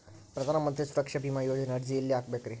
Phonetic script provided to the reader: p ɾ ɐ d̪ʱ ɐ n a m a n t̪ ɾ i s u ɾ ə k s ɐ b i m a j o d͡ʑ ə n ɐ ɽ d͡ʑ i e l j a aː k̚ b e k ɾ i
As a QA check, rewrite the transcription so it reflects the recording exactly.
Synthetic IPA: p ɾ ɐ d̪ʱ a n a m ə n t̪ ɾ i s u ɾ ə k ʂ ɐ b i m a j o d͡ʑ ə n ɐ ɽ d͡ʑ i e l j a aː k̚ b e k ɾ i